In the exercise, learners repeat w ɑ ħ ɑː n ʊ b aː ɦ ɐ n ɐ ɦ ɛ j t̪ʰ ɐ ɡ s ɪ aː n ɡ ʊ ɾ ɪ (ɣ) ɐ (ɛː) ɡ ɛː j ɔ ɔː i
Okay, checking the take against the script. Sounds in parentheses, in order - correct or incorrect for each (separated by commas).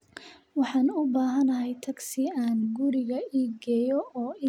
correct, incorrect